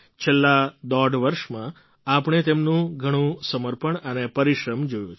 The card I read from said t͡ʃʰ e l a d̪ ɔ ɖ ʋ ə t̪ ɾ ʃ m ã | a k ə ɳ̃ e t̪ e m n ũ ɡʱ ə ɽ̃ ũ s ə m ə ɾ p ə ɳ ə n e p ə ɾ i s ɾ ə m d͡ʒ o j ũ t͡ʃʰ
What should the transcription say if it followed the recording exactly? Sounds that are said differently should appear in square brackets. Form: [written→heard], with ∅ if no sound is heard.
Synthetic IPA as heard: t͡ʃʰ e [l→lː] a d̪ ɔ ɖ ʋ ə [t̪→∅] ɾ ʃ m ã | a [k→p] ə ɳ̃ e t̪ e m n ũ ɡʱ ə ɽ̃ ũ s ə m ə ɾ p ə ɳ ə n e p ə ɾ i [s→ʃ] ɾ ə m d͡ʒ o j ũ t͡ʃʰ